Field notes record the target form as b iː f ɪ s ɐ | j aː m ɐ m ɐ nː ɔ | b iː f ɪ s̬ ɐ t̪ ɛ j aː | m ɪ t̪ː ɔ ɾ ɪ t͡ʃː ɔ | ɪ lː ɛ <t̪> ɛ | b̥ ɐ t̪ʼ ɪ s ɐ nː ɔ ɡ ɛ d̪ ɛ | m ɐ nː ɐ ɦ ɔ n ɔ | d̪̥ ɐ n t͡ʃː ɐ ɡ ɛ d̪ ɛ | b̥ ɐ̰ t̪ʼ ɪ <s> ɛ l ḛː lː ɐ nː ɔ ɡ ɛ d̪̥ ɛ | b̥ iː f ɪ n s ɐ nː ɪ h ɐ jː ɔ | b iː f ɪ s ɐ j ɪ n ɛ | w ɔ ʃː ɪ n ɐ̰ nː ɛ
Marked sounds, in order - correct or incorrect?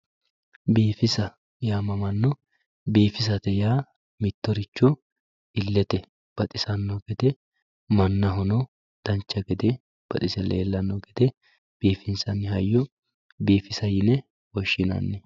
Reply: correct, correct

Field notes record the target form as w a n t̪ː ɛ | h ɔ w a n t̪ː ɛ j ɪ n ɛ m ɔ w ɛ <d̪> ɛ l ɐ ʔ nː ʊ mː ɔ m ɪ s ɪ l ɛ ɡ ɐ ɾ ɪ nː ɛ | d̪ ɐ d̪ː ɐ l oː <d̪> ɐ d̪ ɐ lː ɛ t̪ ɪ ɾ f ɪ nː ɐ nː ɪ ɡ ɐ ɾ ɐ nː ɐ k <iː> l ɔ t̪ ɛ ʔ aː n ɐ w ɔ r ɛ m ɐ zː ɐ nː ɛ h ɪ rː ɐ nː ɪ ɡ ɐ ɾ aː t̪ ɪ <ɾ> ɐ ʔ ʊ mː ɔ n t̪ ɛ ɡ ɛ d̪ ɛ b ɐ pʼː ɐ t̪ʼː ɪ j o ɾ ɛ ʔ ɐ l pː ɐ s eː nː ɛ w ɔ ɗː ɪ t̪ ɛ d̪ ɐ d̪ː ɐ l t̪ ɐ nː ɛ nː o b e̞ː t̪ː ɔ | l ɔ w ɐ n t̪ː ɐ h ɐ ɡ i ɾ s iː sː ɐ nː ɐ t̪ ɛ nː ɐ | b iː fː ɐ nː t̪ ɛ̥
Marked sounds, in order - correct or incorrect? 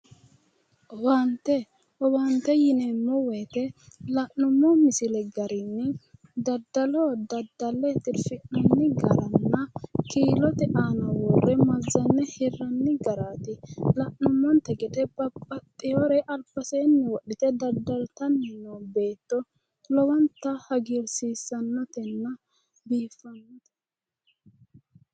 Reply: incorrect, correct, correct, incorrect

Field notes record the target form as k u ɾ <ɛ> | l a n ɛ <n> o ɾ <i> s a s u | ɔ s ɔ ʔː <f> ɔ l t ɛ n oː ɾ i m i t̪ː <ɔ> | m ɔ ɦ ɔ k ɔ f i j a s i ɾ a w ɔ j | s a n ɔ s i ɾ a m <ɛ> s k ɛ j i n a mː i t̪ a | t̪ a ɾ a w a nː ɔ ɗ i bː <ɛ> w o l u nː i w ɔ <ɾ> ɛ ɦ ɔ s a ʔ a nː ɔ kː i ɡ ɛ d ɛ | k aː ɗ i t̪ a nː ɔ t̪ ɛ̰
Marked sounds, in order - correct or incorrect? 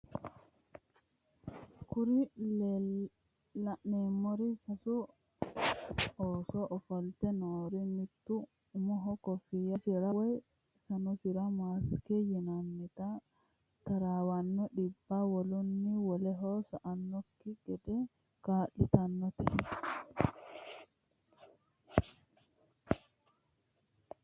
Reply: incorrect, incorrect, correct, correct, incorrect, incorrect, incorrect, incorrect

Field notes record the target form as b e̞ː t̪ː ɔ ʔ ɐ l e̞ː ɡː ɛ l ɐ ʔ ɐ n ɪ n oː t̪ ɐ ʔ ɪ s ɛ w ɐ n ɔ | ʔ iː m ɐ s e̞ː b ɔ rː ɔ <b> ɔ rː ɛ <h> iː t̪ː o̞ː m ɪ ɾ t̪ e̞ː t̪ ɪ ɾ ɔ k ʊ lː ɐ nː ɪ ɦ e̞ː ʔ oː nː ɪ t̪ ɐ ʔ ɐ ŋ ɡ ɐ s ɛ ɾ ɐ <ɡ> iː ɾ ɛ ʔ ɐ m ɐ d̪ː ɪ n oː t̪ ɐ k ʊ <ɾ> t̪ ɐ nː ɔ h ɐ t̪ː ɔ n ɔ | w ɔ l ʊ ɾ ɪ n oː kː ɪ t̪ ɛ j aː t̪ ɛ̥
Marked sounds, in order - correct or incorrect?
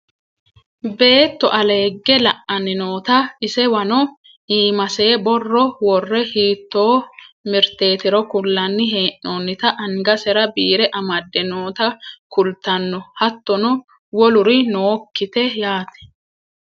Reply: incorrect, correct, incorrect, incorrect

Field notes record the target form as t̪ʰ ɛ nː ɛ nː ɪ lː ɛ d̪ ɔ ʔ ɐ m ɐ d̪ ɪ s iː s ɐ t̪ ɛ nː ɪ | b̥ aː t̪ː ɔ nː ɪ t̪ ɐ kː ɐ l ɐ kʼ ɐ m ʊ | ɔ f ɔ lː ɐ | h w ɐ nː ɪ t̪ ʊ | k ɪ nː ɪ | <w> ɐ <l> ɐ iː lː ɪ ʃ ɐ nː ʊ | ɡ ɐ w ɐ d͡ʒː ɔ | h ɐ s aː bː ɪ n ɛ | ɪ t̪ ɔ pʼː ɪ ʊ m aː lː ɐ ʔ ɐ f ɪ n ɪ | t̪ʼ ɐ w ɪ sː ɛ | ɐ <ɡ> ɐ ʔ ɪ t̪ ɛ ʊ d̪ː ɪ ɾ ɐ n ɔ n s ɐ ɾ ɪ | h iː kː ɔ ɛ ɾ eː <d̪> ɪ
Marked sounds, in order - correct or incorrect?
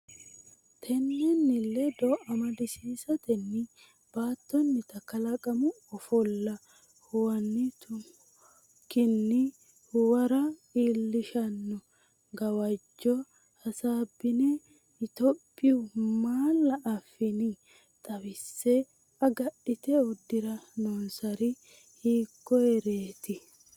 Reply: correct, incorrect, correct, incorrect

